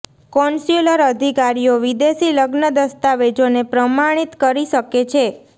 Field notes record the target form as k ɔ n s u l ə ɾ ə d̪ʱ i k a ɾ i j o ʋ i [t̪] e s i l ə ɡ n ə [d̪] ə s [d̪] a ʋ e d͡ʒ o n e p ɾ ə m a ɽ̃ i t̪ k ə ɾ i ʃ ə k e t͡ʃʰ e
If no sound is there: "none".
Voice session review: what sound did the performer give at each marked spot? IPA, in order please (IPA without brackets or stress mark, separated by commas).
d̪, d̪, t̪